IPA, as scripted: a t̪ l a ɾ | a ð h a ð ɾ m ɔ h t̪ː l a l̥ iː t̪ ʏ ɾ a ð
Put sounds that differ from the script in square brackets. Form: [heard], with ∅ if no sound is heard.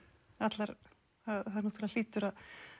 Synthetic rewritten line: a t̪ l a ɾ | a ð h a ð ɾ [n] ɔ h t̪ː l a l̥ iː t̪ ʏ ɾ a ð